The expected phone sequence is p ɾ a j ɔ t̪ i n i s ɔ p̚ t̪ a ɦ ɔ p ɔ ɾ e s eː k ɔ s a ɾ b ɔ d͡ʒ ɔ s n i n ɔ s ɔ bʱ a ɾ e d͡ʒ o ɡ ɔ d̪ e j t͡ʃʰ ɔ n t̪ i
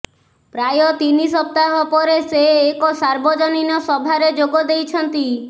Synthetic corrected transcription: p ɾ a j ɔ t̪ i n i s ɔ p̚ t̪ a ɦ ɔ p ɔ ɾ e s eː k ɔ s a ɾ b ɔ d͡ʒ ɔ n i n ɔ s ɔ bʱ a ɾ e d͡ʒ o ɡ ɔ d̪ e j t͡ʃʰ ɔ n t̪ i